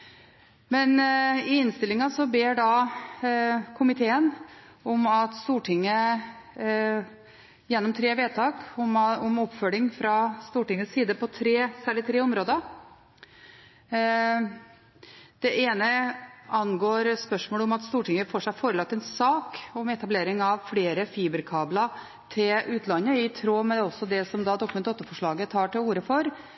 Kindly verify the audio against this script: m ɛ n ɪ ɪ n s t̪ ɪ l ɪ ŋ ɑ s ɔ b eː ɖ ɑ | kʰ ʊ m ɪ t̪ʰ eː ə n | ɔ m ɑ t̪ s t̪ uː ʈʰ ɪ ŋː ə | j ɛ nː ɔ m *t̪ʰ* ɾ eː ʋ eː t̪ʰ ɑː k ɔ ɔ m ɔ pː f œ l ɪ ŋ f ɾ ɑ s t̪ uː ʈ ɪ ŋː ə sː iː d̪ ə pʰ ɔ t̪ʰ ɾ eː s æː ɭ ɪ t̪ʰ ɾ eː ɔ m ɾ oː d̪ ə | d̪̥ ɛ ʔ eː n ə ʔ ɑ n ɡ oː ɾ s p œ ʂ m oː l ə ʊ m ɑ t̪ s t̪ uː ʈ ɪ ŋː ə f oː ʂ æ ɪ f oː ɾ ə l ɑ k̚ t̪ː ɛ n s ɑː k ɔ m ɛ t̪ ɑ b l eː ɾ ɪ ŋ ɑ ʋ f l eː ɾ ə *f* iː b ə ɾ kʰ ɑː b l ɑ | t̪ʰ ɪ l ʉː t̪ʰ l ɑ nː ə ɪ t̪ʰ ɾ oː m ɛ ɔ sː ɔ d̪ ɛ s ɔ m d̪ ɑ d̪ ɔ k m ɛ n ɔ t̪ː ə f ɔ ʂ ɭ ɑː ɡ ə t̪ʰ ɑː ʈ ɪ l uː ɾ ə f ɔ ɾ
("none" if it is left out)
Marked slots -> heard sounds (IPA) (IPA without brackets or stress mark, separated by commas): t̪ʰ, f